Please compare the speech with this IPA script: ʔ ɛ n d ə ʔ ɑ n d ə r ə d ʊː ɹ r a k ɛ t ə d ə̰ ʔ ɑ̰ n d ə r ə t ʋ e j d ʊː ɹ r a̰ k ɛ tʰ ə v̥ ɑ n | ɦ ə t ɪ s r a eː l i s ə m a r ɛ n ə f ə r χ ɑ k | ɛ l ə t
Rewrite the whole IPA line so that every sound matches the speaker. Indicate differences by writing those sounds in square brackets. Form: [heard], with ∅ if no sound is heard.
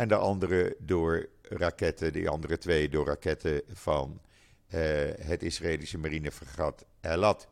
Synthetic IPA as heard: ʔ ɛ n d ə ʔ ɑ n d ə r ə d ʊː ɹ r a k ɛ t ə d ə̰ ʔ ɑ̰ n d ə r ə t ʋ e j d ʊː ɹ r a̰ k ɛ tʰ ə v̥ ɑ n | ɦ ə t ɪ s r a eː l i s ə m a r [i] n ə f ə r χ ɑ [t] | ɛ l [ɑ] t